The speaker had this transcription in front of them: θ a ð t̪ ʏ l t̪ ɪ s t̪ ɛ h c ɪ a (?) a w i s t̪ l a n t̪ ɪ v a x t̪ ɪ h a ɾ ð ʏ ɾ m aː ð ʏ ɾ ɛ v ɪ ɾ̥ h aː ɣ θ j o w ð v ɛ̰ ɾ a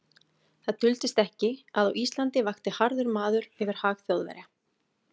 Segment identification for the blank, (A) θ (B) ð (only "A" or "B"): B